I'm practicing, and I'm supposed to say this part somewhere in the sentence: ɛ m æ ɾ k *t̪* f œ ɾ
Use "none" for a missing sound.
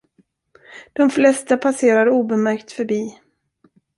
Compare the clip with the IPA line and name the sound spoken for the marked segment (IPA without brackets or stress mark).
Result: t̪